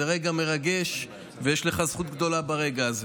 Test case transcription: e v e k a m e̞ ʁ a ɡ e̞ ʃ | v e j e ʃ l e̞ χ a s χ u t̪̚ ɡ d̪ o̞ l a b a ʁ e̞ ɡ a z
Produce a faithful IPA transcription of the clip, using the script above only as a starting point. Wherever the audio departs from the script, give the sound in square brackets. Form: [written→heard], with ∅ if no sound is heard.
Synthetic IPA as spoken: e [v→ʁ] e [k→ɡ] a m e̞ ʁ a ɡ e̞ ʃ | v e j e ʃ l e̞ χ a [s→z] χ u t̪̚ ɡ d̪ o̞ l a b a ʁ e̞ ɡ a z